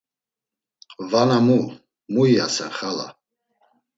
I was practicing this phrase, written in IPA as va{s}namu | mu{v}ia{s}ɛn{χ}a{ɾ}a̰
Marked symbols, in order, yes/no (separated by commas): no, no, yes, yes, no